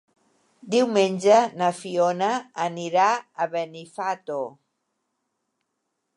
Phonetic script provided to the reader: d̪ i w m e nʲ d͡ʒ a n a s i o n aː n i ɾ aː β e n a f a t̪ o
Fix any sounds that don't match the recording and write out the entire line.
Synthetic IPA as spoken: d̪ i w m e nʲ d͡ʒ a n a f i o n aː n i ɾ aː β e n i f a t̪ o